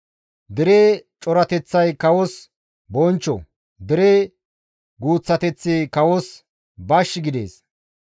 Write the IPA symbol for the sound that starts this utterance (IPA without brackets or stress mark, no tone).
d̪